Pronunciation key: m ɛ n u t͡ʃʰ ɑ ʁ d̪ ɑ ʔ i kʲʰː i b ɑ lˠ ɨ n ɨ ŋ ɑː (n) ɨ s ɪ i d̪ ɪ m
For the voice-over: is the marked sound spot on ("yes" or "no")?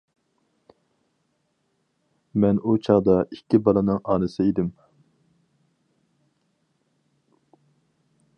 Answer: yes